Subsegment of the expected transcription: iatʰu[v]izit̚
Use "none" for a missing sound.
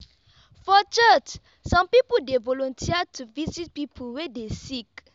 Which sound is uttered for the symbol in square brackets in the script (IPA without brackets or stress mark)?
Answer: v